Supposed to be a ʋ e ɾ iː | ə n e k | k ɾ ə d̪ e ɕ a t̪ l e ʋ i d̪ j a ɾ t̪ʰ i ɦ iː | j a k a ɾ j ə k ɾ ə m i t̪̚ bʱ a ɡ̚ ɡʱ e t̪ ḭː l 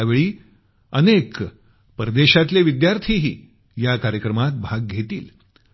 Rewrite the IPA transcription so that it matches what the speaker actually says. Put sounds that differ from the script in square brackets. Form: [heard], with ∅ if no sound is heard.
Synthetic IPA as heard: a ʋ e [ɭ] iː | ə n e k | [p] ɾ ə d̪ e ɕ a t̪ l e ʋ i d̪ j a ɾ t̪ʰ i ɦ iː | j a k a ɾ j ə k ɾ ə m [a] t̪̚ bʱ a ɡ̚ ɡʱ e t̪ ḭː l